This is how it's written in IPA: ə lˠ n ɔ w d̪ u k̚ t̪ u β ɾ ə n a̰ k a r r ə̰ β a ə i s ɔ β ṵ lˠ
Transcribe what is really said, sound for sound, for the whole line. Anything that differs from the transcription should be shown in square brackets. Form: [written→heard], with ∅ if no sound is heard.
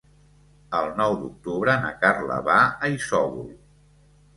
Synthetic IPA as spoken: ə lˠ n ɔ w d̪ u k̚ t̪ u β ɾ ə n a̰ k a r [r→l] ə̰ β a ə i s ɔ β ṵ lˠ